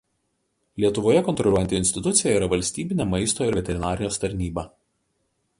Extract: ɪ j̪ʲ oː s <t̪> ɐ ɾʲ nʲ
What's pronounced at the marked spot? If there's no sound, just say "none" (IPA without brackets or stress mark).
t̪